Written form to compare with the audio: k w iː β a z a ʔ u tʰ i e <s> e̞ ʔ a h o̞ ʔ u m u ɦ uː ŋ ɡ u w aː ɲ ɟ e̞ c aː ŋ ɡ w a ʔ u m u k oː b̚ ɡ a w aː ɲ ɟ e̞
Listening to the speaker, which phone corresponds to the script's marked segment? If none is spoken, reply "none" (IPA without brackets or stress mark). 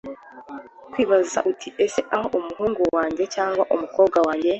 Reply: s